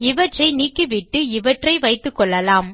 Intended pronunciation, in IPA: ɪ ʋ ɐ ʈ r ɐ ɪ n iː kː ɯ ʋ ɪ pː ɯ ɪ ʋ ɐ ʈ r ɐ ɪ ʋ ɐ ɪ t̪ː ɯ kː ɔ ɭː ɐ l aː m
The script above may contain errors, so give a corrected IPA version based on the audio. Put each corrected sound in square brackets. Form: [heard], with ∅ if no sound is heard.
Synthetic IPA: ɪ ʋ ɐ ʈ r ɐ ɪ n iː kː ɯ ʋ ɪ [ʈː] ɯ ɪ ʋ ɐ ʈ r ɐ ɪ ʋ ɐ ɪ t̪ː ɯ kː ɔ ɭː ɐ l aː m